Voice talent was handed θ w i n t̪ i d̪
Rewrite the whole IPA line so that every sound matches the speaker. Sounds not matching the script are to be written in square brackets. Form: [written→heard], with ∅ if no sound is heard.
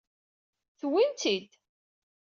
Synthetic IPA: θ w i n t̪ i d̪